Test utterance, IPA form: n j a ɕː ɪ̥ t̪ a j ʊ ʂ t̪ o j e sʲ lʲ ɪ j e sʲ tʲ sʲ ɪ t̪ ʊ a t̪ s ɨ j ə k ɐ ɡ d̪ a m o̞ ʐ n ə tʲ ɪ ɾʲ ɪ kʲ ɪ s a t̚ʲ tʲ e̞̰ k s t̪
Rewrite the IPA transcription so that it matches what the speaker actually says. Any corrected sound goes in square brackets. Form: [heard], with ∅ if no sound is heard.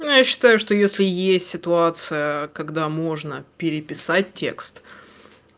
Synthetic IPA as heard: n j a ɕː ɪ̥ t̪ a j ʊ ʂ t̪ o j e sʲ lʲ ɪ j e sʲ tʲ sʲ ɪ t̪ ʊ a t̪ s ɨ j ə k ɐ ɡ d̪ a m o̞ ʐ n ə [pʲ] ɪ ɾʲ ɪ [pʲ] ɪ s a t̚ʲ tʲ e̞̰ k s t̪